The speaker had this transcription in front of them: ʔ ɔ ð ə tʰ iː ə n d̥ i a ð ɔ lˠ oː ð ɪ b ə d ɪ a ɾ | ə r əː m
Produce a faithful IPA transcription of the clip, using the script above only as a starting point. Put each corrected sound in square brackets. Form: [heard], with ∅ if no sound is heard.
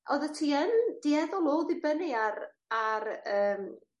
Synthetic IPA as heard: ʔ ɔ ð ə tʰ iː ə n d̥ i [ɛ] ð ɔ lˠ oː ð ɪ b ə [n] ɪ a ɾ | [a] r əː m